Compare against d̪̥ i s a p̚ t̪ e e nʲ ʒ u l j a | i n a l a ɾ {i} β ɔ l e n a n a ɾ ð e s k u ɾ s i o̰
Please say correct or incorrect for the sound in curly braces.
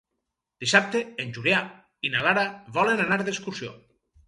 incorrect